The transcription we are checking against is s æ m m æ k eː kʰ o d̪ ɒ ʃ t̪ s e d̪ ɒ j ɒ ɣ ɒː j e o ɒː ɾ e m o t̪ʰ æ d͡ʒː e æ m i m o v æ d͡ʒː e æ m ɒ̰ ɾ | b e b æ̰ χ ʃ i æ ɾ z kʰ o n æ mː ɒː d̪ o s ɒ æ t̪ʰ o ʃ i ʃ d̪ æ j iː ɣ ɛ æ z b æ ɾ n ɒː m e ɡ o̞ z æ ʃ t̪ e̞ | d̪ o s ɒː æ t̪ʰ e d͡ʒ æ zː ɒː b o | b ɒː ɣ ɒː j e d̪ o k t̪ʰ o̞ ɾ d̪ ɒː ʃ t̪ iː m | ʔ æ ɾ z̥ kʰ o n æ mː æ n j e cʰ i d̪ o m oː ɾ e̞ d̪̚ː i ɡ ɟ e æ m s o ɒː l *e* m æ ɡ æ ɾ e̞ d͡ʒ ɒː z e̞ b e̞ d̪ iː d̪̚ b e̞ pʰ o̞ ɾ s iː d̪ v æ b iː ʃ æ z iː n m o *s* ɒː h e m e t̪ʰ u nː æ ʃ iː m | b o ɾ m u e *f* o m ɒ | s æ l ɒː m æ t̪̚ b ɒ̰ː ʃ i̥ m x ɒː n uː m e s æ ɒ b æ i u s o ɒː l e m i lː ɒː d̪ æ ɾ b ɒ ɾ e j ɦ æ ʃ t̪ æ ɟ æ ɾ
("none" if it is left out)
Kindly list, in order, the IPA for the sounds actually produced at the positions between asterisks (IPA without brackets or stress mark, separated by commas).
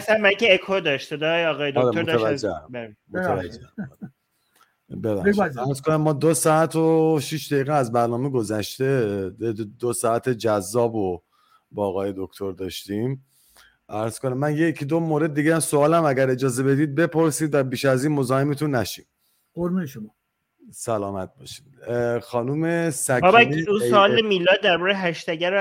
æ, z, ʃ